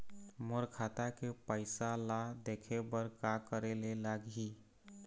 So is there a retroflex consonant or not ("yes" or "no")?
no